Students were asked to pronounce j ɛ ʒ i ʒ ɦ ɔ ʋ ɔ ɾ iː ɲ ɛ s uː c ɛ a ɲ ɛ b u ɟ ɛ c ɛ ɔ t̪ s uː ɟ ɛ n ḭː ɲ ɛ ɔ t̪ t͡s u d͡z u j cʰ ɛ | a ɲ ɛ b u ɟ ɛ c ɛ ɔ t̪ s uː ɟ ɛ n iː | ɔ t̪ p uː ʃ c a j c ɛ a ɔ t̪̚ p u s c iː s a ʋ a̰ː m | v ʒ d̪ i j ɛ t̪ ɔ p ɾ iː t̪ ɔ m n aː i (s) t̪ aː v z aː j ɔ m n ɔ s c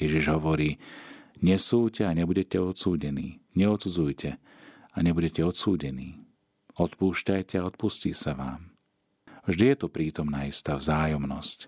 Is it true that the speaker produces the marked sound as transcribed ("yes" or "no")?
yes